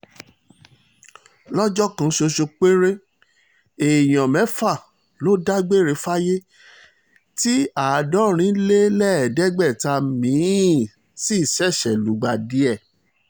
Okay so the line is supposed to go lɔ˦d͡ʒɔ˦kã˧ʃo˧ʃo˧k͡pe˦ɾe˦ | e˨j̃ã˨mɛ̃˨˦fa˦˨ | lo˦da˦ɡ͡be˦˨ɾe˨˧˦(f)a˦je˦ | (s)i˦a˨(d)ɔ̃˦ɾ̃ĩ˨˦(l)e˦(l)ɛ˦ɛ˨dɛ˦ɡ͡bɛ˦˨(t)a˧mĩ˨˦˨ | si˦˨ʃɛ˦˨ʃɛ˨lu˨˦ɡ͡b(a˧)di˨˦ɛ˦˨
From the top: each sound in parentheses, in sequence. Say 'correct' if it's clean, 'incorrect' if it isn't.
correct, incorrect: t, correct, correct, correct, correct, correct

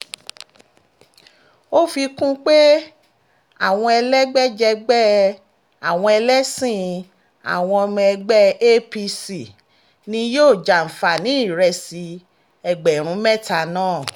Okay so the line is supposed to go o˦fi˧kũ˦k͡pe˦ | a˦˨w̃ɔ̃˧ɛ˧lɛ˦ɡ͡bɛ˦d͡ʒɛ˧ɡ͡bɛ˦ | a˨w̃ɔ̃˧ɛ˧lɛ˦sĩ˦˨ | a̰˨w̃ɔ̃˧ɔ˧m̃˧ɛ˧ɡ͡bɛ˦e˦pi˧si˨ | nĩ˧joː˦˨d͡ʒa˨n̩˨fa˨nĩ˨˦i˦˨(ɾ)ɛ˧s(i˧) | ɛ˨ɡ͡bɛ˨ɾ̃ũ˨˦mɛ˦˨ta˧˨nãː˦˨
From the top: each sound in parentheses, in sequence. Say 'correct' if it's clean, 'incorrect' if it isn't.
correct, correct

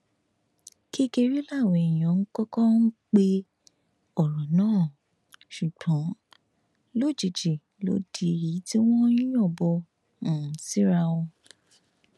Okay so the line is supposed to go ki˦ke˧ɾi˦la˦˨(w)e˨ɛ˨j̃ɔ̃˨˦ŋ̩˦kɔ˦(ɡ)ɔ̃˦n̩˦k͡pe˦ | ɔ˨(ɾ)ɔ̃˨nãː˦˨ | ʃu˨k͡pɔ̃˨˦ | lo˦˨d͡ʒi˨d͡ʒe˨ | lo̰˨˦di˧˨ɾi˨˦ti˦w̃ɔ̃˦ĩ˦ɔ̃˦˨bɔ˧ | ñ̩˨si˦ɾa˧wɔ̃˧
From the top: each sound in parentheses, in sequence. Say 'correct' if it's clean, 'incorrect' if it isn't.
correct, incorrect: k, correct

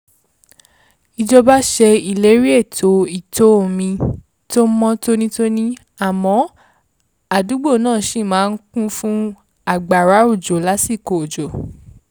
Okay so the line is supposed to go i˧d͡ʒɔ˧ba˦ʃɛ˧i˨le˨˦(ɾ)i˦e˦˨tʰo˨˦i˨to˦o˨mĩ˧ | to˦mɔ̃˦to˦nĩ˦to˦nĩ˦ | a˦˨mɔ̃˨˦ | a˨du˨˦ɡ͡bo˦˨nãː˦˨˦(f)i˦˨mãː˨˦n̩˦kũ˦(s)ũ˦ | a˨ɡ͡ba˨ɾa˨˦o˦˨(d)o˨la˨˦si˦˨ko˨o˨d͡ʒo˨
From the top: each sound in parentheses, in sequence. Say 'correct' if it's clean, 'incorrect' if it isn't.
correct, incorrect: ʃ, incorrect: f, incorrect: d͡ʒ

